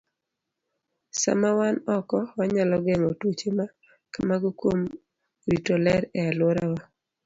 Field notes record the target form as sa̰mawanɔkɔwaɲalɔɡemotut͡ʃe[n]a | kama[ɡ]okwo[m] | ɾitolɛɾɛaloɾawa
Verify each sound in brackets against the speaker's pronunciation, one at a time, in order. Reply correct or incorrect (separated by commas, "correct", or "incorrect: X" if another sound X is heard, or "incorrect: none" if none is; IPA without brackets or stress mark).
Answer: incorrect: m, correct, correct